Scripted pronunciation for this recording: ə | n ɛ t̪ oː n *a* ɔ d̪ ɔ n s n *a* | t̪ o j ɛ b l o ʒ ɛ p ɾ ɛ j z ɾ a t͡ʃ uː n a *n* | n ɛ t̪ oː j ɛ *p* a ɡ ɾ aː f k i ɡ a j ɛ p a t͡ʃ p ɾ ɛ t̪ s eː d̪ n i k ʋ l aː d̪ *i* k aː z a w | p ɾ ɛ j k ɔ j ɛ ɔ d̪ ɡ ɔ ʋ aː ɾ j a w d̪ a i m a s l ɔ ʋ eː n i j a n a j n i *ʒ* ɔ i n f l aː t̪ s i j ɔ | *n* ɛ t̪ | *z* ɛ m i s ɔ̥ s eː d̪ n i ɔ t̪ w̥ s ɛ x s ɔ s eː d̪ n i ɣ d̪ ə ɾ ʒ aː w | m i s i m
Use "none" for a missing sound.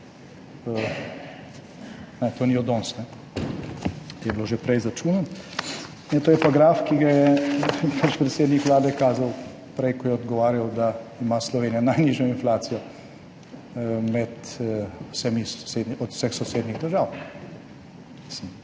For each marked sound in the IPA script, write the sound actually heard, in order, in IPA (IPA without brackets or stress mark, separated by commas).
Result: i, ɛ, n, p, ɛ, ʒ, m, s